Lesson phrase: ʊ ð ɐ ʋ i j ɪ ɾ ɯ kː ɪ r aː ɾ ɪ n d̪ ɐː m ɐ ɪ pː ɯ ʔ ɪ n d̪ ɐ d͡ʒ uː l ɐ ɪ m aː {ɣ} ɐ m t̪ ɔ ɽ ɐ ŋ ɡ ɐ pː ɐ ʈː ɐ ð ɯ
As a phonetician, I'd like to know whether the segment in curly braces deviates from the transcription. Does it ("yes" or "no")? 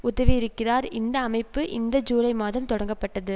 yes